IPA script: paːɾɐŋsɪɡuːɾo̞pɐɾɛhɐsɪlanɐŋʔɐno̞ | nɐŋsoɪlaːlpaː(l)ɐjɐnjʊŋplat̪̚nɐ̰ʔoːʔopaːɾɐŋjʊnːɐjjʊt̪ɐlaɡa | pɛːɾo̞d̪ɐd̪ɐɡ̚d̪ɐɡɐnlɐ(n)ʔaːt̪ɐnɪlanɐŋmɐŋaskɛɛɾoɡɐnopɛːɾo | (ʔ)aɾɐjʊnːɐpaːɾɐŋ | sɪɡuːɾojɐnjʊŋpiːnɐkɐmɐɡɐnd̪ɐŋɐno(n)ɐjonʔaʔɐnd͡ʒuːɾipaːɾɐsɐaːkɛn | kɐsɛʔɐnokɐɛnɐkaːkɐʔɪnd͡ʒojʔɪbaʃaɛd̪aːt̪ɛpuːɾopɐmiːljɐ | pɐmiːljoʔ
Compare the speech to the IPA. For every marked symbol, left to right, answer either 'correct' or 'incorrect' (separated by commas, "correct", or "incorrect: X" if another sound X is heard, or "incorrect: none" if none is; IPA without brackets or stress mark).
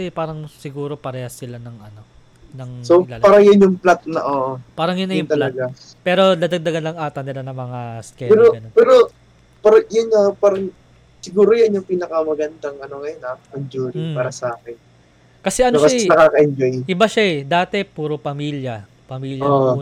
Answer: incorrect: ɾ, incorrect: ŋ, incorrect: p, incorrect: ŋ